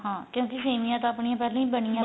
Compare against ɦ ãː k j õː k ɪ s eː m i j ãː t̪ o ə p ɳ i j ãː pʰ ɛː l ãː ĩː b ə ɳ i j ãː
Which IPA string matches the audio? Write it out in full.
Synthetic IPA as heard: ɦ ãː k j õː k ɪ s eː m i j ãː t̪ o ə p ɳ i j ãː p ɛː l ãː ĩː b ə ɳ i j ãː